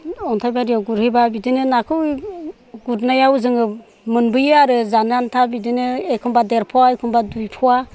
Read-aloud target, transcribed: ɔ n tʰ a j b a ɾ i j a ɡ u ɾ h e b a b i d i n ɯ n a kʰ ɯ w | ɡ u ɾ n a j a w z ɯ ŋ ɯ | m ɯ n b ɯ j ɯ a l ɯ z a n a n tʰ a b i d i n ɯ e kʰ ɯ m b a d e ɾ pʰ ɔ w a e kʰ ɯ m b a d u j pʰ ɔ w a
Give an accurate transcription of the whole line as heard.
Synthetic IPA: ɔ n tʰ a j b a ɾ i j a ɡ u ɾ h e b a b i d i n ɯ n a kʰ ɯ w | ɡ u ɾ n a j a w z ɯ ŋ ɯ | m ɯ n b ɯ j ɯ a ɾ ɯ z a n a n tʰ a b i d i n ɯ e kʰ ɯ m b a d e ɾ pʰ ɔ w a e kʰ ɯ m b a d u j pʰ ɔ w a